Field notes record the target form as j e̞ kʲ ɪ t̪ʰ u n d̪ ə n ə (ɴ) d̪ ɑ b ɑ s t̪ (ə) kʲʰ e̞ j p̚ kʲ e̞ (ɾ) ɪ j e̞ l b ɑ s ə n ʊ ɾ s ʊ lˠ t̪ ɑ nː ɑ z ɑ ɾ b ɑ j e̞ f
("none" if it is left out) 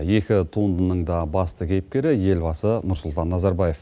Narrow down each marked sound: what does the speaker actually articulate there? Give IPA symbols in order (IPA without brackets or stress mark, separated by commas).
ɴ, ə, ɾ